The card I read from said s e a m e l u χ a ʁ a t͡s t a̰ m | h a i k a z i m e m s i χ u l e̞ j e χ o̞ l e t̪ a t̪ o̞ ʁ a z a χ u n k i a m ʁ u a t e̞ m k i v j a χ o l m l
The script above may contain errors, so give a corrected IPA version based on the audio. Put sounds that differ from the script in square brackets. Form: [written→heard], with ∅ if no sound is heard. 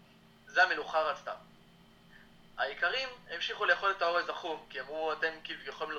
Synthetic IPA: [s→z] e a m e l u χ a ʁ a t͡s t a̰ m | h a i k a [z→ʁ] i m e m [s→ʃ] i χ u l e̞ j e χ o̞ l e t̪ a [t̪→∅] o̞ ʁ [a→e] z a χ u [n→m] k i a m ʁ u a t e̞ m k i v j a χ o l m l